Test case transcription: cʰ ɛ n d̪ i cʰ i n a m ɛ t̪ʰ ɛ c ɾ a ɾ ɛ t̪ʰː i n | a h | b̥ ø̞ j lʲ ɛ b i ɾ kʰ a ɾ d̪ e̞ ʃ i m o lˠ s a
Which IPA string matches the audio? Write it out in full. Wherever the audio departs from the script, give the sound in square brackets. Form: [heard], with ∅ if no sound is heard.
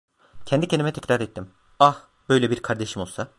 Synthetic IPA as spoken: cʰ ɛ n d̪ i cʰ [e] n [i] m ɛ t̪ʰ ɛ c ɾ a ɾ ɛ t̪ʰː i [m] | a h | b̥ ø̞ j lʲ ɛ b i ɾ kʰ a ɾ d̪ e̞ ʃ i m o lˠ s a